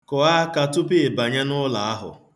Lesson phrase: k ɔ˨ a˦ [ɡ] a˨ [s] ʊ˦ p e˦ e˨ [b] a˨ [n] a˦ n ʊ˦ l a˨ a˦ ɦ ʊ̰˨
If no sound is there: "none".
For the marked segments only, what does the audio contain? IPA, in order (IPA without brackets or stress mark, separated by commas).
k, t, b, ɲ